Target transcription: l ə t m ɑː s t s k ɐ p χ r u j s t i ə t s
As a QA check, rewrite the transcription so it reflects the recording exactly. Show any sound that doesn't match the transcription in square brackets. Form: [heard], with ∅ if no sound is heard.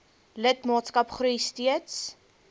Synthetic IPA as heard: l ə t m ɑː [∅] t s k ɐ p χ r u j s t i ə t s